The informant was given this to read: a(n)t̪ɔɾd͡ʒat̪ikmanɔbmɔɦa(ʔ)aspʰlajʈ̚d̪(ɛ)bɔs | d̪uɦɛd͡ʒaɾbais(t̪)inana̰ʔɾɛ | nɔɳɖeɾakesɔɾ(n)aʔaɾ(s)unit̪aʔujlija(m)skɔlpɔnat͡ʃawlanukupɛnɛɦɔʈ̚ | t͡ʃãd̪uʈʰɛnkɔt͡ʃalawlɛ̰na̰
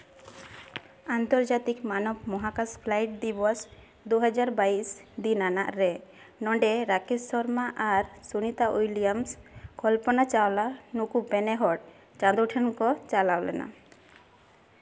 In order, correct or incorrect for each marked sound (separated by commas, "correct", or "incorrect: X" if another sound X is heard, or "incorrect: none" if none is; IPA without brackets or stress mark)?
correct, incorrect: k, incorrect: i, incorrect: d̪, incorrect: m, correct, correct